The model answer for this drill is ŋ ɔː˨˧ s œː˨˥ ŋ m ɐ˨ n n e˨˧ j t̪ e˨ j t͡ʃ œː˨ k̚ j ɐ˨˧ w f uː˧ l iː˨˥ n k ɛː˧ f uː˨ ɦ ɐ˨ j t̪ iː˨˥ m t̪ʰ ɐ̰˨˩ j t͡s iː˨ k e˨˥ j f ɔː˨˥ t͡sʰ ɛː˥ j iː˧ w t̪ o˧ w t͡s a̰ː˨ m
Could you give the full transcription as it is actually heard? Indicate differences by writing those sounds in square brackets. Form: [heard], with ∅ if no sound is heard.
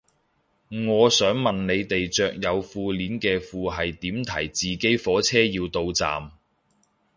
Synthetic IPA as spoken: ŋ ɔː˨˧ s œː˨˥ ŋ m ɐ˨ n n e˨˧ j t̪ e˨ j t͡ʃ œː˨ k̚ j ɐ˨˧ w f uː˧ l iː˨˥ n k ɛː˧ f uː˨ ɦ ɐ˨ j t̪ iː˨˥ m t̪ʰ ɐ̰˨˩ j t͡s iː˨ k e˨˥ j f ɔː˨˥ t͡sʰ ɛː˥ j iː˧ w t̪ o˧ w t͡s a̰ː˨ m

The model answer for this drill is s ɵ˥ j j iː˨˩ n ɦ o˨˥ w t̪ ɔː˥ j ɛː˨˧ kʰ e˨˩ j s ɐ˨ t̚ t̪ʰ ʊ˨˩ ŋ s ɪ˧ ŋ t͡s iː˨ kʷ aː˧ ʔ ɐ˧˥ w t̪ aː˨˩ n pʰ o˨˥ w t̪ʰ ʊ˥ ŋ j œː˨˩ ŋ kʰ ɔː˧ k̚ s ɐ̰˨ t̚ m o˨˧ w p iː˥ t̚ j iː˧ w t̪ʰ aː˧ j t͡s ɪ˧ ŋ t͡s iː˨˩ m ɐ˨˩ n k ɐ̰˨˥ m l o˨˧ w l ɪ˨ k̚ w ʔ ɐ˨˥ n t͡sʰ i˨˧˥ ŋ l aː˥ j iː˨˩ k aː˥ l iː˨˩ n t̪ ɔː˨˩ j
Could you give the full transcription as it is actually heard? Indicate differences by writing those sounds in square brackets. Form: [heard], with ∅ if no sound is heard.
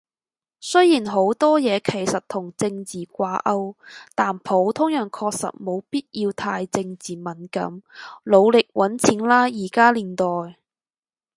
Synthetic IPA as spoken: s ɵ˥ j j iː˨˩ n ɦ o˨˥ w t̪ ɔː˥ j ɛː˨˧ kʰ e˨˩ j s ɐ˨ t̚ t̪ʰ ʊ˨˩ ŋ [t͡s] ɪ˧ ŋ t͡s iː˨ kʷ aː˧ ʔ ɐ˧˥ w t̪ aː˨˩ n pʰ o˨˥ w t̪ʰ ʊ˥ ŋ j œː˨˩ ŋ kʰ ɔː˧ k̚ s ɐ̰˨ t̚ m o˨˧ w p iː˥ t̚ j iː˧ w t̪ʰ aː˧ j t͡s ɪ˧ ŋ t͡s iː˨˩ m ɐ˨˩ n k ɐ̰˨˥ m l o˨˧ w l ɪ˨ k̚ w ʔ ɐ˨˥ n t͡sʰ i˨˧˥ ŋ l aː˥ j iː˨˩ k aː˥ l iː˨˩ n t̪ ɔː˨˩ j

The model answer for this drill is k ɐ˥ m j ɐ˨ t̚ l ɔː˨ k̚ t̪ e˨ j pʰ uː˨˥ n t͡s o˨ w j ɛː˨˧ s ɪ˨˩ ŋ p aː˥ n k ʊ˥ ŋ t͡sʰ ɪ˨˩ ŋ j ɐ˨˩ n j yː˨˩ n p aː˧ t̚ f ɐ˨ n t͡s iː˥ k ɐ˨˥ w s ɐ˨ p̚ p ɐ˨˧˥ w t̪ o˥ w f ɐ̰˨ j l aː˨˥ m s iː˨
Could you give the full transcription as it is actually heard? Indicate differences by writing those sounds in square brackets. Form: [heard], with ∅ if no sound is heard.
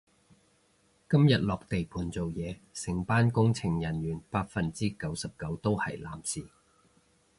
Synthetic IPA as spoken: k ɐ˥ m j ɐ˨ t̚ l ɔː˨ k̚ t̪ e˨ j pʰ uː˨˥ n t͡s o˨ w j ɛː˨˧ s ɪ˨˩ ŋ p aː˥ n k ʊ˥ ŋ t͡sʰ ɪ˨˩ ŋ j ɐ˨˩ n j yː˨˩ n p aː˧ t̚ f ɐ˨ n t͡s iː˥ k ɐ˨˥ w s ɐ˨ p̚ [k] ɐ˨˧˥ w t̪ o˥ w [h] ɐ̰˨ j l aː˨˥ m s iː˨

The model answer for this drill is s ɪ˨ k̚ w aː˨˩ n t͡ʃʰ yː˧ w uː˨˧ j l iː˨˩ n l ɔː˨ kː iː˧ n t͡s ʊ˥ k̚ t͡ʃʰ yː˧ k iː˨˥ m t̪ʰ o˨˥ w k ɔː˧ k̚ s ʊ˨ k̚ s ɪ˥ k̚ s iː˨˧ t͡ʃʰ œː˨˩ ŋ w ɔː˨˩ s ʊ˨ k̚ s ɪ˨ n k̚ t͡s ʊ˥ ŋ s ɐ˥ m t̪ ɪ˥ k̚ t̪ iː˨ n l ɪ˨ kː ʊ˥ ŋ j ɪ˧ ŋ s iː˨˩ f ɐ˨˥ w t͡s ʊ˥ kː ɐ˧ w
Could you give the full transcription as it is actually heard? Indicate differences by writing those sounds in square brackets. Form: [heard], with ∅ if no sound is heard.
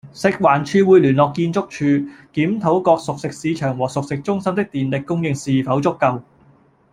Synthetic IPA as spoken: s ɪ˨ k̚ w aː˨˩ n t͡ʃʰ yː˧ w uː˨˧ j l [yː˨˩] n l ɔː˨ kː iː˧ n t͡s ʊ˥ k̚ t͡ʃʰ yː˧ k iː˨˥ m t̪ʰ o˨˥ w k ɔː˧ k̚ s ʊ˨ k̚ s [ɪ˨] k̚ s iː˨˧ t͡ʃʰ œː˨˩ ŋ w ɔː˨˩ s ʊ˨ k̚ s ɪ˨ [∅] k̚ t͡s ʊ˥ ŋ s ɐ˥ m t̪ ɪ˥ k̚ t̪ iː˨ n l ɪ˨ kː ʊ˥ ŋ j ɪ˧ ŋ s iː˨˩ f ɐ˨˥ w t͡s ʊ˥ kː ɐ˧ w

